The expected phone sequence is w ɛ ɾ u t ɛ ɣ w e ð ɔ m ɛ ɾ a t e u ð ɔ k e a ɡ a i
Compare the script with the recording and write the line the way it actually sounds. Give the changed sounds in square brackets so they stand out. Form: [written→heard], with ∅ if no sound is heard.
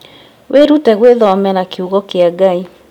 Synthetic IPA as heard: w [ɛ→e] ɾ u t ɛ ɣ w e ð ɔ m ɛ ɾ a [t→k] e u [ð→ɣ] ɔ k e a ɡ a i

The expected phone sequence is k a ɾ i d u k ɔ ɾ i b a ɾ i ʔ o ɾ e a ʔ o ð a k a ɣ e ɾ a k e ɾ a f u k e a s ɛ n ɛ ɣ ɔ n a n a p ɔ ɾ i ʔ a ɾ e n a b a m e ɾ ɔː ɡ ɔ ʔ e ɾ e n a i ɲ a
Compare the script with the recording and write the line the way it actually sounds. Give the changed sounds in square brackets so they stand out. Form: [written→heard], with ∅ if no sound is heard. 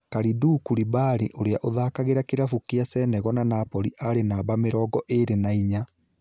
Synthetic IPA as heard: k a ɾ i d u k [ɔ→u] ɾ i b a ɾ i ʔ o ɾ e a ʔ o ð a k a ɣ e ɾ a k e ɾ a f u k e a s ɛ n ɛ ɣ ɔ n a n a p ɔ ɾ i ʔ a ɾ e n a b a m e ɾ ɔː ɡ ɔ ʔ e ɾ e n a i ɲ a

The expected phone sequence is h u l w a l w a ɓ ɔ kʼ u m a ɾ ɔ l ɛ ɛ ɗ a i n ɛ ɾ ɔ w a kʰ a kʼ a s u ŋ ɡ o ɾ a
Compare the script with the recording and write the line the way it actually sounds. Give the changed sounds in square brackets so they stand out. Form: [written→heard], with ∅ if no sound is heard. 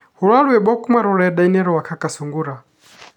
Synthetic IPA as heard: h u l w a l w [a→ɛ] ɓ ɔ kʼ u m a ɾ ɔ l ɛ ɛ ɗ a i n ɛ ɾ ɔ w a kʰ a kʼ a s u ŋ ɡ [o→u] ɾ a

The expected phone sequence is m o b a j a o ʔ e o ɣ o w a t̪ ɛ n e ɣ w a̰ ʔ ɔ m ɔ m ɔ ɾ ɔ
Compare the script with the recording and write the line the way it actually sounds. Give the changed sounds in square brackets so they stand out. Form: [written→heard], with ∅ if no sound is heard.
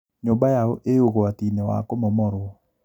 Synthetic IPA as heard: [m→ɲ] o b a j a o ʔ e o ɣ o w a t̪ [ɛ→i] n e [ɣ→∅] w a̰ [ʔ→k] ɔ m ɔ m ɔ ɾ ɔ

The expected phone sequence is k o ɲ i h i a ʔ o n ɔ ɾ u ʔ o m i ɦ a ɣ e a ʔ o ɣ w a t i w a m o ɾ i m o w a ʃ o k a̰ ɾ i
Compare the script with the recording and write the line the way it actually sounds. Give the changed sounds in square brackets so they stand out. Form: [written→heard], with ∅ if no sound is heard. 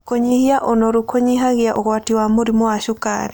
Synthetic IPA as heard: k o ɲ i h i a ʔ o n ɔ ɾ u [ʔ→k] o [m→ɲ] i ɦ a ɣ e a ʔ o ɣ w a t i w a m o ɾ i m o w a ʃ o k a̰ ɾ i

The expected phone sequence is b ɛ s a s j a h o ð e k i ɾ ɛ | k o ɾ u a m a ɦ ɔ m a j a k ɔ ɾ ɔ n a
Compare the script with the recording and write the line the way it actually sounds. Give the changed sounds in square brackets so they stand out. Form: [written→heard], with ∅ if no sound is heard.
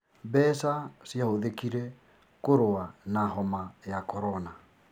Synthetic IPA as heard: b ɛ s a s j a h o ð e k i ɾ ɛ | k o ɾ [u→o] a [m→n] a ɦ ɔ m a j a k ɔ ɾ ɔ n a

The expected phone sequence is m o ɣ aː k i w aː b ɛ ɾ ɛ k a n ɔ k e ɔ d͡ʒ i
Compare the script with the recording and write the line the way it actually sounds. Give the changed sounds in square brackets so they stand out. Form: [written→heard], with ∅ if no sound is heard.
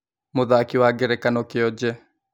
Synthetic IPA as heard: m o [ɣ→ð] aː k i w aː [b→ɡ] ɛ ɾ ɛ k a n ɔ k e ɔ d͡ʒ [i→ɛ]

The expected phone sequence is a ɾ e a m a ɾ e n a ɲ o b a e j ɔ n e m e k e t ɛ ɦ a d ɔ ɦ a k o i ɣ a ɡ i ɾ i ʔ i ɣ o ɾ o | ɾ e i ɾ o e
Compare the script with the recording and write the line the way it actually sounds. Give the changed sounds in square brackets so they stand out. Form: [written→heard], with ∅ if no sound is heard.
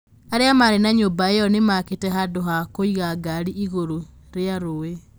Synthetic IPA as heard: a ɾ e a m a ɾ e n a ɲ o b a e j ɔ n e m [e→a] k e t ɛ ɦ a d [ɔ→o] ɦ a k o i ɣ a ɡ [i→a] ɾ i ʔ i ɣ o ɾ o | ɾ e [i→a] ɾ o e

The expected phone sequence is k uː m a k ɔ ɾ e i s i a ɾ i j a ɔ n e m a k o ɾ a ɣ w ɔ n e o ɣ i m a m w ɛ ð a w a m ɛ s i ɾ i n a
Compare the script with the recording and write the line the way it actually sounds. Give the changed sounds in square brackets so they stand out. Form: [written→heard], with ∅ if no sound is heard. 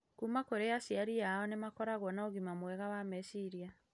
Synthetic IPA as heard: k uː m a k [ɔ→o] ɾ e [i→a] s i a ɾ i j a ɔ n e m a k [o→ɔ] ɾ a ɣ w ɔ n [e→a] o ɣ i m a m w ɛ [ð→ɣ] a w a m ɛ s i ɾ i [n→∅] a

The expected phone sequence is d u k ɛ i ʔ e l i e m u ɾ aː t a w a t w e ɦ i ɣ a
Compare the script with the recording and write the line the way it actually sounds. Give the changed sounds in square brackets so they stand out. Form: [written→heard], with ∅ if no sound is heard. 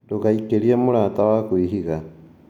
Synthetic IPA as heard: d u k [ɛ→a] i [ʔ→k] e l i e m u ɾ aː t a w a [t→k] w [e→i] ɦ i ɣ a

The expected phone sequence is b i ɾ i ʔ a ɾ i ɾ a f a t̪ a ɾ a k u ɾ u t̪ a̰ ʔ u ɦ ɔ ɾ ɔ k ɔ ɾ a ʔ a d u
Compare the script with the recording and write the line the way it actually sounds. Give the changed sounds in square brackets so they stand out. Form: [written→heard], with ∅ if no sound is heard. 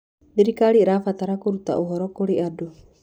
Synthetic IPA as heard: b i ɾ i [ʔ→k] a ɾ i ɾ a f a t̪ a ɾ a k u ɾ u t̪ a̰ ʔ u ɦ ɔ ɾ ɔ k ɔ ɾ [a→i] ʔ a d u

